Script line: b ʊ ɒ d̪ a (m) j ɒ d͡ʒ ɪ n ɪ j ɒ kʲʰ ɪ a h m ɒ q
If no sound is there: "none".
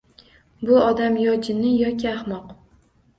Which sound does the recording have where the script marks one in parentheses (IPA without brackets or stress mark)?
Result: m